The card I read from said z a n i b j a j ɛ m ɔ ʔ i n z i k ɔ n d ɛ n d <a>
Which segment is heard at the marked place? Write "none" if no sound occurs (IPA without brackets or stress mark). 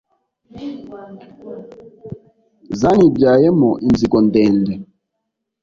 ɛ